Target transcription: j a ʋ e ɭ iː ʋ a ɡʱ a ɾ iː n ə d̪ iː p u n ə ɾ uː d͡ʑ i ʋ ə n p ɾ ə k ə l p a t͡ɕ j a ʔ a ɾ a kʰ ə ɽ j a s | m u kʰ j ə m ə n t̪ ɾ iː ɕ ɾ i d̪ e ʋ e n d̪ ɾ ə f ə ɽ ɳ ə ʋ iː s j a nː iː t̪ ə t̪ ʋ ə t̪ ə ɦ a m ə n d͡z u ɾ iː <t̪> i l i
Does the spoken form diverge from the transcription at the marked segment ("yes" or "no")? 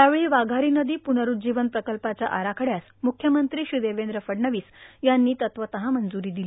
yes